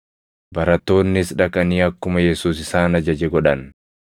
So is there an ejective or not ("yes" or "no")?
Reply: no